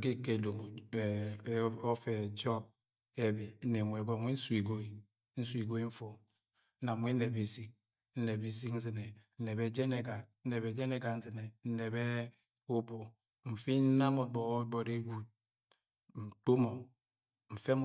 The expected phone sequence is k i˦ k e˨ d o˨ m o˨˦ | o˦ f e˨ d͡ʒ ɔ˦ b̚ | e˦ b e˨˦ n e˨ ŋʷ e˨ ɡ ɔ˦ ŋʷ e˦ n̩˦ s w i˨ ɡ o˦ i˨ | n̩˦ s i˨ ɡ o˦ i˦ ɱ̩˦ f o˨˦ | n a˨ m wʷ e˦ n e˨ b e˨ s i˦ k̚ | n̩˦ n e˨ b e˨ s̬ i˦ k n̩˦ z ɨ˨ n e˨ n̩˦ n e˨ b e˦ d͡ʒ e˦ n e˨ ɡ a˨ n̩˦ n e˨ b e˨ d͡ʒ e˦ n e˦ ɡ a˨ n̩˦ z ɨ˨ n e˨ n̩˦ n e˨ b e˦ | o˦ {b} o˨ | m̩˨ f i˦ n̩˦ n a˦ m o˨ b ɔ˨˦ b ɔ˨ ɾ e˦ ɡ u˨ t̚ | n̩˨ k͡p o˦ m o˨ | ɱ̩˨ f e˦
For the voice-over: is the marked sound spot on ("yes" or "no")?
yes